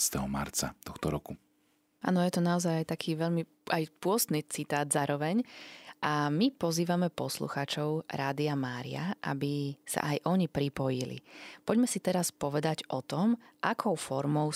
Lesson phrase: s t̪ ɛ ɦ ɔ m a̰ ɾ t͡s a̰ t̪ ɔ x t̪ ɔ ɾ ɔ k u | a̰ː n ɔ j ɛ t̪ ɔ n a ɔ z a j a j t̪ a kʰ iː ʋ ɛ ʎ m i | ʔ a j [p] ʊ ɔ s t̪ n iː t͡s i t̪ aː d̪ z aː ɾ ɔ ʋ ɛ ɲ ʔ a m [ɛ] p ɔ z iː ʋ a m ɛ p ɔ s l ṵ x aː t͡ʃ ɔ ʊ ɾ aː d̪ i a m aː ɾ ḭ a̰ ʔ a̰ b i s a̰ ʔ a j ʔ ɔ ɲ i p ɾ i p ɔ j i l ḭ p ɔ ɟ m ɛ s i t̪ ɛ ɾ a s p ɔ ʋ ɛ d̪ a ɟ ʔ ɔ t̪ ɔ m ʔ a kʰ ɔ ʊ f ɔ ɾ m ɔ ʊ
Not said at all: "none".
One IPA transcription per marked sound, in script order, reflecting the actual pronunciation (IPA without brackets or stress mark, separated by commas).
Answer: p, i